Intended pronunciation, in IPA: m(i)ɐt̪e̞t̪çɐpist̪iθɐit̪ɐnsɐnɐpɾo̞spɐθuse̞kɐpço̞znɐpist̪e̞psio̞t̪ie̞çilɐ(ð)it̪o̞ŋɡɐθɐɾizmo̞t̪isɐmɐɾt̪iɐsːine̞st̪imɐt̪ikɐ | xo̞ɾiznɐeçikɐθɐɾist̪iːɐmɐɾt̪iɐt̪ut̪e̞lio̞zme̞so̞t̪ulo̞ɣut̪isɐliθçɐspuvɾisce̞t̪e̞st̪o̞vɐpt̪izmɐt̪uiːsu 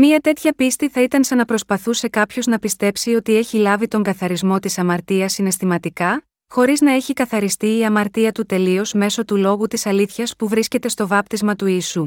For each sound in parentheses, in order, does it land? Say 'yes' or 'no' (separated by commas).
yes, no